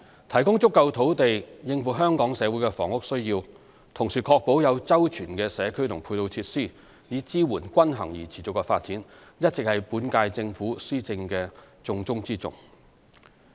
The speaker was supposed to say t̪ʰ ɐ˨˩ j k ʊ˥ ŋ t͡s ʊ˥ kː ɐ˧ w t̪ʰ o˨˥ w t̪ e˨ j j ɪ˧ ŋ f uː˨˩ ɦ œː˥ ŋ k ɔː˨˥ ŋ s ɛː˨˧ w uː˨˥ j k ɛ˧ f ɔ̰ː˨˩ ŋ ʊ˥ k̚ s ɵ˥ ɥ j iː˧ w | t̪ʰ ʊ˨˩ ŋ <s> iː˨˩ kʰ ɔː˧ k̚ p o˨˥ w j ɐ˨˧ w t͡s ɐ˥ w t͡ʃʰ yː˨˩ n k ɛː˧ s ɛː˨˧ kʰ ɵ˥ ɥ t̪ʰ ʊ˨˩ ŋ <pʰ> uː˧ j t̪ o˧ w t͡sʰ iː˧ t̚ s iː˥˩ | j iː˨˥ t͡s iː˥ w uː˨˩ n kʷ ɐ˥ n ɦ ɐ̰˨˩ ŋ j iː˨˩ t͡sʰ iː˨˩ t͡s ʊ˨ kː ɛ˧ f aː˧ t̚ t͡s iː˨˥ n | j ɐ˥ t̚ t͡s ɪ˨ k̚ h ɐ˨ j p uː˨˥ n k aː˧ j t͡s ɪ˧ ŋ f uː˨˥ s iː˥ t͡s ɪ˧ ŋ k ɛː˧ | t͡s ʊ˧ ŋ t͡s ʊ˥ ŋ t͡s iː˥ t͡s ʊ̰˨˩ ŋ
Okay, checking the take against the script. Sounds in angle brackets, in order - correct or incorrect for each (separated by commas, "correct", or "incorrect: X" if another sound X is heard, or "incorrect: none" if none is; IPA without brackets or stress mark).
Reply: correct, correct